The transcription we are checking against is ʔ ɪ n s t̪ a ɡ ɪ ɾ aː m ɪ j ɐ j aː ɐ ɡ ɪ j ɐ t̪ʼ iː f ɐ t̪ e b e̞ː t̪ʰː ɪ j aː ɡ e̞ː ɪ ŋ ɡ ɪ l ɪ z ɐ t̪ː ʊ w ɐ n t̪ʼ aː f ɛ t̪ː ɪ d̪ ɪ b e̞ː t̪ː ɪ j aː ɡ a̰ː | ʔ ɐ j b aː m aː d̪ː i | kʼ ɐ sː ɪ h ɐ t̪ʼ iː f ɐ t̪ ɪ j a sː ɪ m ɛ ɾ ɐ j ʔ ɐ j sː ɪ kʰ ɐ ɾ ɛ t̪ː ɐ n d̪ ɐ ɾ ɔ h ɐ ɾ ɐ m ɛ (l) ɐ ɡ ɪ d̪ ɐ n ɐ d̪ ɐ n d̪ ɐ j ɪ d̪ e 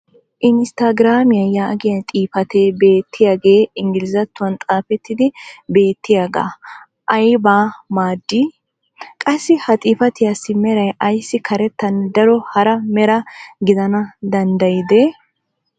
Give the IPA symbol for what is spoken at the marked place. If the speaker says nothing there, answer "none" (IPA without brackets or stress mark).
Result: ɾ